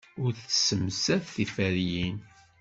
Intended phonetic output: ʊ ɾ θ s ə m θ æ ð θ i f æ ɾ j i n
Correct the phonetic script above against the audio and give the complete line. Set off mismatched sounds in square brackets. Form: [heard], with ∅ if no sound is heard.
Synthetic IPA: ʊ ɾ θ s ə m [s] æ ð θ i f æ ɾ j i n